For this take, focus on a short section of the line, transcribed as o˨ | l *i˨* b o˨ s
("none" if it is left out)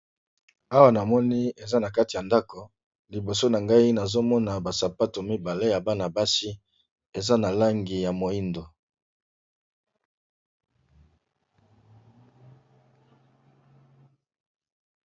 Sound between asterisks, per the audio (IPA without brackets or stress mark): i˨